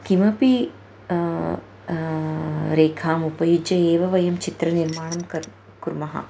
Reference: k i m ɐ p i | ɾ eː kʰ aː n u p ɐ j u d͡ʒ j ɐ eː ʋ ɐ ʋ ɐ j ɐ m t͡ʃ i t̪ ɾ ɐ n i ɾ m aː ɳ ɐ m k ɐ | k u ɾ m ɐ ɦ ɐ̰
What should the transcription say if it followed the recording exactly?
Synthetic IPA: k i m ɐ p i | ɾ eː kʰ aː m u p ɐ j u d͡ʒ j ɐ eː ʋ ɐ ʋ ɐ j ɐ m t͡ʃ i t̪ ɾ ɐ n i ɾ m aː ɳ ɐ m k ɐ | k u ɾ m ɐ ɦ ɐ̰